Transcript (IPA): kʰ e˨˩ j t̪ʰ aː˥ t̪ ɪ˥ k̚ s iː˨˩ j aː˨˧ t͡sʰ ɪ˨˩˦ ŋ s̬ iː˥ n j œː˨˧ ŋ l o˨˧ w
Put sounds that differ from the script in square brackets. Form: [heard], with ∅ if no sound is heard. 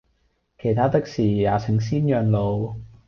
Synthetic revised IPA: kʰ e˨˩ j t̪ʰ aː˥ t̪ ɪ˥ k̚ s iː˨˩ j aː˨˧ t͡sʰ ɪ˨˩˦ ŋ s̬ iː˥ n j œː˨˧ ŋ l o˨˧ w